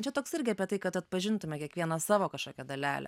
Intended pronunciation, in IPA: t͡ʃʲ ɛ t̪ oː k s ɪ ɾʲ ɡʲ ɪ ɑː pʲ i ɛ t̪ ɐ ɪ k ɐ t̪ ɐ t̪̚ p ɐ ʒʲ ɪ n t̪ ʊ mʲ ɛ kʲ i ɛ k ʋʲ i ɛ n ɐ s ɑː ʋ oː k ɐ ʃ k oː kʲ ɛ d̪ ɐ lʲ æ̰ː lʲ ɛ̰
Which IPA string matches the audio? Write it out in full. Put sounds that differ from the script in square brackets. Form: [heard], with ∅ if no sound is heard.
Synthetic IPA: t͡ʃʲ ɛ t̪ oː k s ɪ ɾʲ ɡʲ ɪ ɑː pʲ i ɛ t̪ ɐ ɪ k ɐ t̪ ɐ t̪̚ p ɐ ʒʲ ɪ n t̪ ʊ mʲ ɛ kʲ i ɛ k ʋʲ i ɛ n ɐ s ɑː ʋ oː k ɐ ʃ k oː kʲ ɛ d̪ ɐ lʲ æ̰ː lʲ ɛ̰

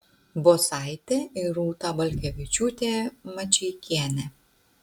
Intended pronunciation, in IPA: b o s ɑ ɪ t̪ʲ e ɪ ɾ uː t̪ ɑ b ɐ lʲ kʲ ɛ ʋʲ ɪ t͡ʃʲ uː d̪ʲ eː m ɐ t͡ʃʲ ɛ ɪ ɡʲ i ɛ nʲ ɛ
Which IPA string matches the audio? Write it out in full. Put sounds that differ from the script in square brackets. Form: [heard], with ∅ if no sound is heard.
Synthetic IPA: b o s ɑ ɪ t̪ʲ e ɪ ɾ uː t̪ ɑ b ɐ lʲ kʲ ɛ ʋʲ ɪ t͡ʃʲ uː [t̪ʲ] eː m ɐ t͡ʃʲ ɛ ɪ [kʲ] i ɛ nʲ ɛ

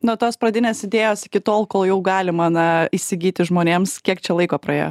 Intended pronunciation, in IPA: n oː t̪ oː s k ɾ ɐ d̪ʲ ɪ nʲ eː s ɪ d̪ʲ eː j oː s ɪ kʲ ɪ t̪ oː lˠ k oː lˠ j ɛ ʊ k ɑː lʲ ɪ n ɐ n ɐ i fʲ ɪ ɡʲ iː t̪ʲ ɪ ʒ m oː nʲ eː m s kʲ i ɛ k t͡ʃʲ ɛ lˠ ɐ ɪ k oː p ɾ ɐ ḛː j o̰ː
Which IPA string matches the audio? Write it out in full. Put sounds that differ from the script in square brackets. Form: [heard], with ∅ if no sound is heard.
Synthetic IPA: n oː t̪ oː s [p] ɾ ɐ d̪ʲ ɪ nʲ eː s ɪ d̪ʲ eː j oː s ɪ kʲ ɪ t̪ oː lˠ k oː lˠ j ɛ ʊ [ɡ] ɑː lʲ ɪ [m] ɐ n ɐ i [sʲ] ɪ ɡʲ iː t̪ʲ ɪ ʒ m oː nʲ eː m s kʲ i ɛ k t͡ʃʲ ɛ lˠ ɐ ɪ k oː p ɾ ɐ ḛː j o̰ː

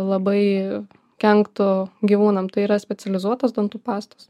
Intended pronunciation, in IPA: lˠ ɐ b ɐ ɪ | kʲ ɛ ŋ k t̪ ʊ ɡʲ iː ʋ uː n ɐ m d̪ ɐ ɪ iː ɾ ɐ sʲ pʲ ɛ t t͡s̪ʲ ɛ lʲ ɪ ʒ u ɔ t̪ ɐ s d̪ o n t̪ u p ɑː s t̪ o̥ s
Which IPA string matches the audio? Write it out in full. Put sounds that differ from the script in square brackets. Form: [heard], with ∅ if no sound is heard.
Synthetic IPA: lˠ ɐ b ɐ ɪ | kʲ ɛ ŋ k t̪ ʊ ɡʲ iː ʋ uː n ɐ m [t̪] ɐ ɪ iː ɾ ɐ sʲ pʲ ɛ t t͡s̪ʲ ɛ lʲ ɪ [z] u ɔ t̪ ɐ s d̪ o n t̪ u p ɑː s t̪ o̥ s

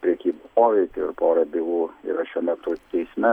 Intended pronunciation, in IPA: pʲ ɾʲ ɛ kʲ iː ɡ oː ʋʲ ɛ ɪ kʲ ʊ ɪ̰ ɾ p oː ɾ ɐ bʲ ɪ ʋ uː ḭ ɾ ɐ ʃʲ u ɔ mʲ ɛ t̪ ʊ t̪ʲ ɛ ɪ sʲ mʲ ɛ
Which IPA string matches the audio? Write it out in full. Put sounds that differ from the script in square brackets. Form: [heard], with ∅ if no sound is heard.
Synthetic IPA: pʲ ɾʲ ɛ kʲ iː [b] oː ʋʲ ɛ ɪ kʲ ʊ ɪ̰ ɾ p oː ɾ ɐ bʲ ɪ ʋ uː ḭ ɾ ɐ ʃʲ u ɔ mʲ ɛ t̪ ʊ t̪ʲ ɛ ɪ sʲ mʲ ɛ

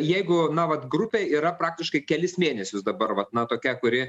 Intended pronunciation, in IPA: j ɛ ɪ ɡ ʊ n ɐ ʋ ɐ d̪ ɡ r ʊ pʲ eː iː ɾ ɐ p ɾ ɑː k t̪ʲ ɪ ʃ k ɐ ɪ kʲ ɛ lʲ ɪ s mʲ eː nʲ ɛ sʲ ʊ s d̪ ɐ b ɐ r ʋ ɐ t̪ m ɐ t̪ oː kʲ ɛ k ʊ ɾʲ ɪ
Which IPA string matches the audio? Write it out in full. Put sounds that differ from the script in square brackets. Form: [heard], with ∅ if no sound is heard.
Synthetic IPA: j ɛ ɪ ɡ ʊ n ɐ ʋ ɐ [t̪] ɡ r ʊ pʲ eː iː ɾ ɐ p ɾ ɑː k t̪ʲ ɪ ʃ k ɐ ɪ kʲ ɛ lʲ ɪ s mʲ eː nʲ ɛ sʲ ʊ s d̪ ɐ b ɐ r ʋ ɐ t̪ [n] ɐ t̪ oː kʲ ɛ k ʊ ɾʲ ɪ

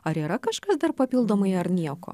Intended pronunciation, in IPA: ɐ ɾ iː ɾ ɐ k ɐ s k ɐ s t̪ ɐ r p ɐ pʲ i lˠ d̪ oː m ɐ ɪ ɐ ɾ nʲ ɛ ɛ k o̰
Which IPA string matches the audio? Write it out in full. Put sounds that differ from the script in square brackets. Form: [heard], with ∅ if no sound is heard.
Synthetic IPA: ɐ ɾ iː ɾ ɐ k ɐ [ʃ] k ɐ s [d̪] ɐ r p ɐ pʲ i lˠ d̪ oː m ɐ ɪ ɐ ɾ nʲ [i] ɛ k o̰

